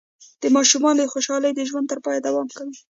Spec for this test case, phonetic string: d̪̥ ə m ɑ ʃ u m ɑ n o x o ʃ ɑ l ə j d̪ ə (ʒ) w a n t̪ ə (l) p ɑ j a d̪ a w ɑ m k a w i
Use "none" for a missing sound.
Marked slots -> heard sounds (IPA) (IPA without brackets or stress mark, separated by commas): ʒ, ɾ